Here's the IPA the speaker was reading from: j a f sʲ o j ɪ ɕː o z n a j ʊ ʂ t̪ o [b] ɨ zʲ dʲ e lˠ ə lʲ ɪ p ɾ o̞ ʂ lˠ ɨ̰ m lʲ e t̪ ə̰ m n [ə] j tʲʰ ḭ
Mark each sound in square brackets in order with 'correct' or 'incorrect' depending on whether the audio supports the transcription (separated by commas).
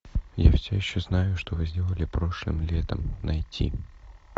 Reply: incorrect, incorrect